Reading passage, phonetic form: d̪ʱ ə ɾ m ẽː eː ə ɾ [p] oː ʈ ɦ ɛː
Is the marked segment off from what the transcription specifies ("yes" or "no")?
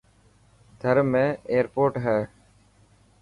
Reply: no